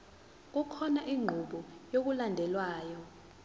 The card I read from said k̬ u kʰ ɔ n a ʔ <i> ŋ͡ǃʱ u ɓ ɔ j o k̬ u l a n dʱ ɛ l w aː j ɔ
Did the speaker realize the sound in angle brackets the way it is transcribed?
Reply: yes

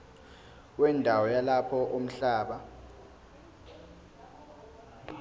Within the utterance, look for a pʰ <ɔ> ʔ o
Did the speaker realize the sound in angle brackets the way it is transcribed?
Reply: yes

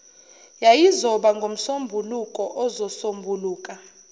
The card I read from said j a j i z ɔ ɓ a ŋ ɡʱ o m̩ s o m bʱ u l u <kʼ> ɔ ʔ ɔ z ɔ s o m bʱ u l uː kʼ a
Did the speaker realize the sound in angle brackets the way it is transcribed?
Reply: yes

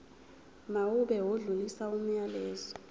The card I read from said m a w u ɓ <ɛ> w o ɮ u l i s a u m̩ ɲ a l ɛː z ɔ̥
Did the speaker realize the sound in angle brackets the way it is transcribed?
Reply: yes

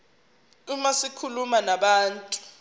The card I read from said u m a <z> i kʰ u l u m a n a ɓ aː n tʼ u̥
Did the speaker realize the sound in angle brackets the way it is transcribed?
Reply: no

